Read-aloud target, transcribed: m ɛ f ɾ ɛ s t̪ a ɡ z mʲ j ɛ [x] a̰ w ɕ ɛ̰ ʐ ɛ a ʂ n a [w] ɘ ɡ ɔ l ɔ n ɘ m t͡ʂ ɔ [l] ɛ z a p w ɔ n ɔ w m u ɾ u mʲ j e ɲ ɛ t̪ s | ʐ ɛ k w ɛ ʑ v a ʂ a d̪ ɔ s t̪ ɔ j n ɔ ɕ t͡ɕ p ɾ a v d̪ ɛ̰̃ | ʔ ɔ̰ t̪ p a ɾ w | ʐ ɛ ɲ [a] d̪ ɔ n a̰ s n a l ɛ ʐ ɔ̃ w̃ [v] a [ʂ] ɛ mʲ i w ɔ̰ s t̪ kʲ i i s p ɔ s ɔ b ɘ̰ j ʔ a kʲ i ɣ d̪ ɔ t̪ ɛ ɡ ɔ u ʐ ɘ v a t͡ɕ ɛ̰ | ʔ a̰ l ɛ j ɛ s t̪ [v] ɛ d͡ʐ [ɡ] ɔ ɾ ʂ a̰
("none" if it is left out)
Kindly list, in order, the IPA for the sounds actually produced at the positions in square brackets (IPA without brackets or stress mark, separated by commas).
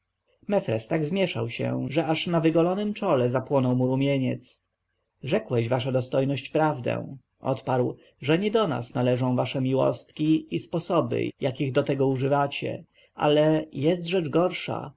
ʂ, v, l, ɛ, v, ʂ, ʐ, ɡ